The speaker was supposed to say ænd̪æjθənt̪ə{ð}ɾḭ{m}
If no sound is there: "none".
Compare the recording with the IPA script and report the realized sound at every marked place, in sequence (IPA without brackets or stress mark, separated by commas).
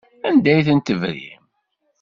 v, m